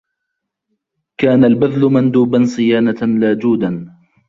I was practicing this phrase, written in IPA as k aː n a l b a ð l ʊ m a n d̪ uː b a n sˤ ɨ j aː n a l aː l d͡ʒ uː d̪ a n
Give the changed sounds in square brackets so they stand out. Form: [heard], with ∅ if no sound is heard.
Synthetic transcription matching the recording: k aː n a l b a ð l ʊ m a n d̪ uː b a n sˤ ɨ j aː n a l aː [∅] d͡ʒ uː d̪ a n

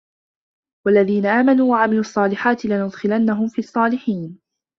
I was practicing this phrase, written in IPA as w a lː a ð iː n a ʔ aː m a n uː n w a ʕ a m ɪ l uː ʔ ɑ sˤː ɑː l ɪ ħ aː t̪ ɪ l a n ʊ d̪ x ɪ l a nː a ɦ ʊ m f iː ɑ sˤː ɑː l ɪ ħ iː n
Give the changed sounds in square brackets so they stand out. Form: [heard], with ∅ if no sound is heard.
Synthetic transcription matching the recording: w a lː a ð iː n a ʔ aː m a n uː [∅] w a ʕ a m ɪ l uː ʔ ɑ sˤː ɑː l ɪ ħ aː t̪ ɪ l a n ʊ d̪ x ɪ l a nː a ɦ ʊ m f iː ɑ sˤː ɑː l ɪ ħ iː n

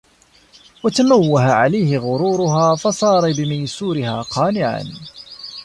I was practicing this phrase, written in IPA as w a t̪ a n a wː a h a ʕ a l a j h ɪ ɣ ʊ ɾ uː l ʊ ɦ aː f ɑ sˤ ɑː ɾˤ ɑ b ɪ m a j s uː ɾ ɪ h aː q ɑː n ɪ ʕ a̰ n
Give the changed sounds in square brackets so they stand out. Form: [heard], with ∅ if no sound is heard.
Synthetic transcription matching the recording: w a t̪ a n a wː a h a ʕ a l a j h ɪ ɣ ʊ ɾ uː [ɾ] ʊ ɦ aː f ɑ sˤ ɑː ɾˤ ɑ b ɪ m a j s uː ɾ ɪ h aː q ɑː n ɪ ʕ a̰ n

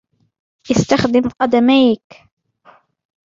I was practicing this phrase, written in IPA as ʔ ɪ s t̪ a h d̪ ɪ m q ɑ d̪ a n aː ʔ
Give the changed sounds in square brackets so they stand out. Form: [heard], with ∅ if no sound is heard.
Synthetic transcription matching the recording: ʔ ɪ s t̪ a [x] d̪ ɪ m q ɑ d̪ a [m] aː [k]

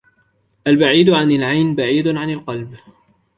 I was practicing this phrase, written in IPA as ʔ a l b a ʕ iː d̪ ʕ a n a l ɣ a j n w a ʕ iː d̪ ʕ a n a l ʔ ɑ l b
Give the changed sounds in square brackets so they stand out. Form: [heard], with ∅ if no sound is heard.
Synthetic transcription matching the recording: ʔ a l b a ʕ iː d̪ ʕ a n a l [ʕ] a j n [b] a ʕ iː d̪ ʕ a n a l [q] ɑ l b

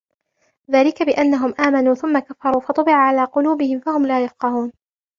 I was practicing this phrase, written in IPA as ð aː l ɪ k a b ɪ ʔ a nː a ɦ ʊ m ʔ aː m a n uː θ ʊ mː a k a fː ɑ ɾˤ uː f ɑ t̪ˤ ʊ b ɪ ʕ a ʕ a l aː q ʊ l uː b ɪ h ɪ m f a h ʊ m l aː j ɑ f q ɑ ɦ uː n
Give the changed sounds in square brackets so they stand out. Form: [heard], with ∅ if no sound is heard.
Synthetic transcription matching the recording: ð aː l ɪ k a b ɪ ʔ a nː a ɦ ʊ m ʔ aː m a n uː θ ʊ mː a k a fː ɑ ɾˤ uː f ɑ t̪ˤ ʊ b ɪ ʕ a ʕ a l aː q ʊ l uː b ɪ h ɪ m f a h ʊ m l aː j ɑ f q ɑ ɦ uː n

